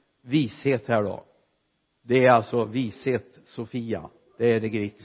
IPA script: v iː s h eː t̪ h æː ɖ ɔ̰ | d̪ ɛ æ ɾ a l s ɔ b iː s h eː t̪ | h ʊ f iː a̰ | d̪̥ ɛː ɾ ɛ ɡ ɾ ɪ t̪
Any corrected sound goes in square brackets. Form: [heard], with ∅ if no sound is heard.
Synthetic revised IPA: v iː s h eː t̪ h æː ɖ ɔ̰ | d̪ ɛ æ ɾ a l s ɔ [v] iː s h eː t̪ | [s] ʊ f iː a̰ | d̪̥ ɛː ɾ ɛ ɡ ɾ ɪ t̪